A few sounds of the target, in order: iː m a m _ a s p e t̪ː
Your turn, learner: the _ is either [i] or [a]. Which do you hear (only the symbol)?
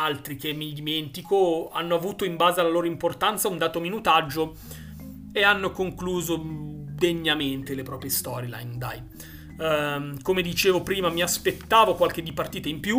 i